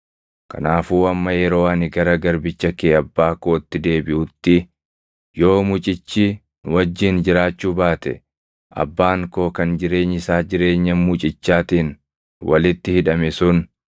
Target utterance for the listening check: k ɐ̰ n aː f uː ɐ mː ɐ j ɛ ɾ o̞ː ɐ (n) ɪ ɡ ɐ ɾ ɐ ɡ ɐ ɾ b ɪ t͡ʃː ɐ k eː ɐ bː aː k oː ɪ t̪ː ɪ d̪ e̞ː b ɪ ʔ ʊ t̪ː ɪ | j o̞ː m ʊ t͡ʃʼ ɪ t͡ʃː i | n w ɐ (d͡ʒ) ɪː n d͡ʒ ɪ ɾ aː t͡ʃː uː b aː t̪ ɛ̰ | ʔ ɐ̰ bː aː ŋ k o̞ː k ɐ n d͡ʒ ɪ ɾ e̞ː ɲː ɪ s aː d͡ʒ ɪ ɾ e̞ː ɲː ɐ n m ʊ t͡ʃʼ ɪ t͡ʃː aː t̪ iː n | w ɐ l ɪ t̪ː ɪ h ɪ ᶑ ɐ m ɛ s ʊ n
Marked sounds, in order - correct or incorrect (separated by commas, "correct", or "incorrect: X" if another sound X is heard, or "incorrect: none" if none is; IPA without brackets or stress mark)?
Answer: correct, incorrect: d͡ʒː